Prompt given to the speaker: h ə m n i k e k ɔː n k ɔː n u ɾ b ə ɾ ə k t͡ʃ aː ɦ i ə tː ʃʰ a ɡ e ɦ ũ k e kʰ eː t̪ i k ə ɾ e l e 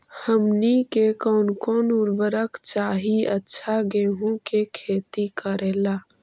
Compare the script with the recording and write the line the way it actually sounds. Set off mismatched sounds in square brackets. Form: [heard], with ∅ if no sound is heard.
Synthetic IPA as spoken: h ə m n i k e k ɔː n k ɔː n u ɾ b ə ɾ ə k t͡ʃ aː ɦ i ə tː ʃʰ a ɡ e ɦ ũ k e kʰ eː t̪ i k ə ɾ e l [a]